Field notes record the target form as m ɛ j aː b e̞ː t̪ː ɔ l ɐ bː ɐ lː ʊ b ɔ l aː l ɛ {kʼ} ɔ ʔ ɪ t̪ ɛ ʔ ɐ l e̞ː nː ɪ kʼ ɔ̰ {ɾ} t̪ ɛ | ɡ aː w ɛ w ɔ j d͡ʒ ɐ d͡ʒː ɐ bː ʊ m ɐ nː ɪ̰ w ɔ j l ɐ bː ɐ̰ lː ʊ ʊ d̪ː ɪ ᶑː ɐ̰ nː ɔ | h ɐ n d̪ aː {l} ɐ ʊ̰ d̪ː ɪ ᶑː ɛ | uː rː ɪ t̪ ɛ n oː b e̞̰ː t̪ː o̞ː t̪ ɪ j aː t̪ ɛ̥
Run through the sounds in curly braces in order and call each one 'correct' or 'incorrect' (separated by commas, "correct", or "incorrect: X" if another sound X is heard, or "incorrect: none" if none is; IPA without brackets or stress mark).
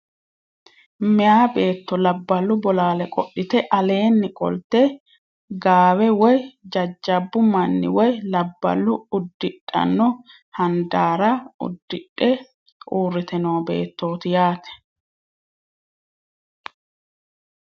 correct, incorrect: l, incorrect: ɾ